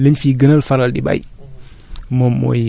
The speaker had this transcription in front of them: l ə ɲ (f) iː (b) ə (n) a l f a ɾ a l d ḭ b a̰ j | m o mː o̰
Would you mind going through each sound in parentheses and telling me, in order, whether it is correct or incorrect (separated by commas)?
correct, incorrect, correct